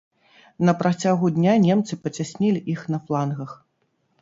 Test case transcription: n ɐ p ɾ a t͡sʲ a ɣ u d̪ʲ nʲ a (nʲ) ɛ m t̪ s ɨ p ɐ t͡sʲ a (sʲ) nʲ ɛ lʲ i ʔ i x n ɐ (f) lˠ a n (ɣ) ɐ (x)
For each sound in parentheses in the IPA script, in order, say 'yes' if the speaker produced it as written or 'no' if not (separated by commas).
yes, yes, yes, yes, yes